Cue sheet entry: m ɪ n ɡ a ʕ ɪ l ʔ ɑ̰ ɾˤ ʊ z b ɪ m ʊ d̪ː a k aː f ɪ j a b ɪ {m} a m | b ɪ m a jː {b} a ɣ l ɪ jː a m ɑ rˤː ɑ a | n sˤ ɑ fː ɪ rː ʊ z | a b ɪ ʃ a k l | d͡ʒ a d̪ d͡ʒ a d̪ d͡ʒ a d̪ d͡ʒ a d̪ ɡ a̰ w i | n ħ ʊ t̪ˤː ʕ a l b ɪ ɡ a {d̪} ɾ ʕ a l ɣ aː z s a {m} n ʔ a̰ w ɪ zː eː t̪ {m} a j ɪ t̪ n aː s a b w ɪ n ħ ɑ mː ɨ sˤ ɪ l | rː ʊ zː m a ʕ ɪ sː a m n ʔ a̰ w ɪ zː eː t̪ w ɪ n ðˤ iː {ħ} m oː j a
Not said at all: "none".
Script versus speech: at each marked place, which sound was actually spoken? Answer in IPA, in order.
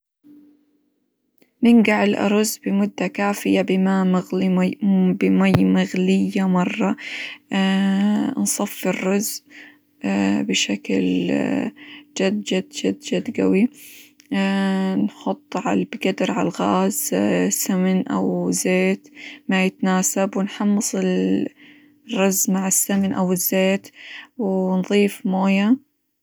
m, m, d̪, m, m, f

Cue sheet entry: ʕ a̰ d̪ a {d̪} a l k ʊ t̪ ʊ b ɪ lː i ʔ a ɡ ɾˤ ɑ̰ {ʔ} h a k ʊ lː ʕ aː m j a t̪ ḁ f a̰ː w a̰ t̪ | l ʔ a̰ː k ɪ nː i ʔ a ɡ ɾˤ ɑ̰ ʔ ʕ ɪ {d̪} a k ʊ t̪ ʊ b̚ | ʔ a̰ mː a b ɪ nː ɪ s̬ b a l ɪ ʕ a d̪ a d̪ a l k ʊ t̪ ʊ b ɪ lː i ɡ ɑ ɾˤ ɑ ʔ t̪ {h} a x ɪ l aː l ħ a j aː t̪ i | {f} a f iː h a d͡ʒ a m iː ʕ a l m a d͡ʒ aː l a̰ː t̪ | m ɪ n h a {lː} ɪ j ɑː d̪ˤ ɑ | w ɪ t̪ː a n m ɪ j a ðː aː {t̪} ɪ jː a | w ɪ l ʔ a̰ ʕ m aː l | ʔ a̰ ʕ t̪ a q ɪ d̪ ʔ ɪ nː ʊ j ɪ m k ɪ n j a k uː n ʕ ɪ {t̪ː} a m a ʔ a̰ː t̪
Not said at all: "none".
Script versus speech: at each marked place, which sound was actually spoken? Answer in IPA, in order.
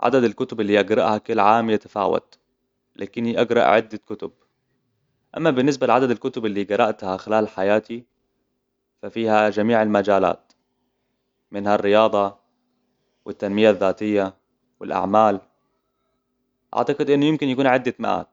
d̪, ʔ, d̪ː, h, f, rː, t̪, d̪ː

